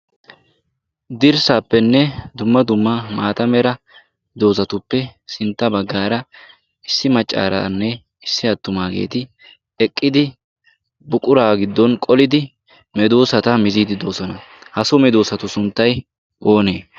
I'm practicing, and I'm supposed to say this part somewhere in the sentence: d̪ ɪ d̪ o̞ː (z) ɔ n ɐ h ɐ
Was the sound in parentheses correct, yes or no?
no